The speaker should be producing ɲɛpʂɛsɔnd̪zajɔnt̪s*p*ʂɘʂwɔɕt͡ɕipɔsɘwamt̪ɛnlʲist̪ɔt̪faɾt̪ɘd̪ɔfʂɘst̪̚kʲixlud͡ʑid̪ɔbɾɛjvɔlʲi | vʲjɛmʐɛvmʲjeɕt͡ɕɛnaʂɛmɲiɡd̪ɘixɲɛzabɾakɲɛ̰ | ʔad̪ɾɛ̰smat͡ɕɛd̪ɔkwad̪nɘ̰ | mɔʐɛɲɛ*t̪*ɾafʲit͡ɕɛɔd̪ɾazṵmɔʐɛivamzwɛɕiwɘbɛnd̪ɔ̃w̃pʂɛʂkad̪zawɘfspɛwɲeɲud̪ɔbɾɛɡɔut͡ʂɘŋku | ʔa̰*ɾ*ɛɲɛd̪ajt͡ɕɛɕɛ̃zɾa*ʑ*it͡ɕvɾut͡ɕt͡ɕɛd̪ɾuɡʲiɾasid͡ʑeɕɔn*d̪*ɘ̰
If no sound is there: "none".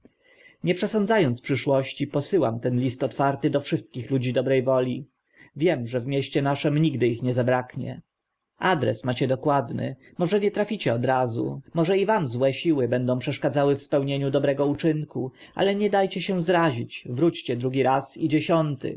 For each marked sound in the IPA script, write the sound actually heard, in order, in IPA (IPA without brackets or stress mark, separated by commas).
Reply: p, t̪, l, ʑ, t̪